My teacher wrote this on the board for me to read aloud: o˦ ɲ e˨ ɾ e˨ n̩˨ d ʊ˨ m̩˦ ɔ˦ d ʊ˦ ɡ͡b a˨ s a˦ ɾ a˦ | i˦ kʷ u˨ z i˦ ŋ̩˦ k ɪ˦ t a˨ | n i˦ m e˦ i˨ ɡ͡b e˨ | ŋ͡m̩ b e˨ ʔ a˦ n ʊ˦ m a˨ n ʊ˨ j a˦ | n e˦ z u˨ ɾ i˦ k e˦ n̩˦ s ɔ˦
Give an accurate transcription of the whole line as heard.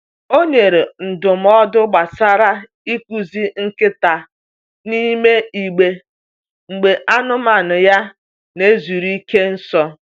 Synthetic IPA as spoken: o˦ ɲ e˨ ɾ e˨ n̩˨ d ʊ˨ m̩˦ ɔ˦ d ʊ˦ ɡ͡b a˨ s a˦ ɾ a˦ | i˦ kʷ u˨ z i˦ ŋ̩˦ k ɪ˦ t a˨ | n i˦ m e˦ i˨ ɡ͡b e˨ | ŋ͡m̩ ɡ͡b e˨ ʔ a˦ n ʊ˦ m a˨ n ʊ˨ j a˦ | n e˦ z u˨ ɾ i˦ k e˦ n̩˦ s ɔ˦